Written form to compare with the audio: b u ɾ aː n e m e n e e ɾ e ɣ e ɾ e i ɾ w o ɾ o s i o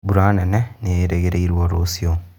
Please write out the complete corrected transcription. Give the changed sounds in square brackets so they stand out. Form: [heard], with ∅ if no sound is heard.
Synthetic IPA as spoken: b u ɾ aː n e [n] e n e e ɾ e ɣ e ɾ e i ɾ w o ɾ o s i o